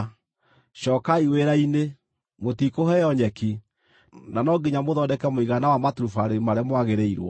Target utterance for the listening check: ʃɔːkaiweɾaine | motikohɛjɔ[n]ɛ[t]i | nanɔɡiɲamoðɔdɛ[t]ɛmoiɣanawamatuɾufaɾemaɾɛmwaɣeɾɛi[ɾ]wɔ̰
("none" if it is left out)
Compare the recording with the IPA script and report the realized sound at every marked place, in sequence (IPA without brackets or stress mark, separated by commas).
ɲ, k, k, ɾ